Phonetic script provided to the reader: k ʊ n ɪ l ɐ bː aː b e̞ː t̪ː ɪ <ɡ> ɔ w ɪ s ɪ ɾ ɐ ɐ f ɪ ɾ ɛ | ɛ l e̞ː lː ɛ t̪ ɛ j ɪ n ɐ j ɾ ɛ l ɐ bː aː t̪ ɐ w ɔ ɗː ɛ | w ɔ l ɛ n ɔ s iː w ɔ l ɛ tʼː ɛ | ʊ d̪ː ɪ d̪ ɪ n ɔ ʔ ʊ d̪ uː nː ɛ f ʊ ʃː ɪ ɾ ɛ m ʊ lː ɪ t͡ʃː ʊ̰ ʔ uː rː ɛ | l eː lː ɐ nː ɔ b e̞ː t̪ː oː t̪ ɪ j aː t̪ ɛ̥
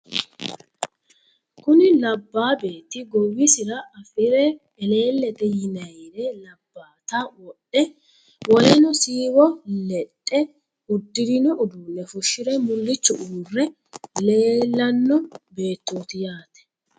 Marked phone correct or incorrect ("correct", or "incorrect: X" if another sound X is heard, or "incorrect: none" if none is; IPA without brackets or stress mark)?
correct